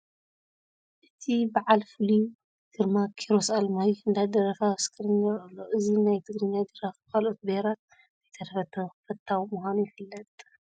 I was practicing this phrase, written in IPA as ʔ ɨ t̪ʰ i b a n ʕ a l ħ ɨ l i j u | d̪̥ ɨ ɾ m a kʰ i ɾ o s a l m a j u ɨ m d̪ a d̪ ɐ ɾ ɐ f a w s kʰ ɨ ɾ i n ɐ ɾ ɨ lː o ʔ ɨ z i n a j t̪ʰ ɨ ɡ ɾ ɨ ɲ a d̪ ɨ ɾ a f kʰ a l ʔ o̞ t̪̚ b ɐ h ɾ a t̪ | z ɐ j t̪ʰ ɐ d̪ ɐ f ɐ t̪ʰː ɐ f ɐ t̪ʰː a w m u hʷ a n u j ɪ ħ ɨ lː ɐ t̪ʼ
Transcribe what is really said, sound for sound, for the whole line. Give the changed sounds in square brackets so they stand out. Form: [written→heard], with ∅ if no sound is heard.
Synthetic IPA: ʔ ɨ t̪ʰ i b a [n→∅] ʕ a l [ħ→f] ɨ l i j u | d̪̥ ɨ ɾ m a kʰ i ɾ o s a l m a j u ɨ [m→n] d̪ a d̪ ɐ ɾ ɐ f a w s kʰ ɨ ɾ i n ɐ ɾ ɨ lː o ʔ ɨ z i n a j t̪ʰ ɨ ɡ ɾ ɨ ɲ a d̪ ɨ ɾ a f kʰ a l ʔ o̞ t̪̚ b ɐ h ɾ a t̪ | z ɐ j t̪ʰ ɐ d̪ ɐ f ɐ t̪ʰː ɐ f ɐ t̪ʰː a w m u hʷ a n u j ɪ [ħ→f] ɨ lː ɐ t̪ʼ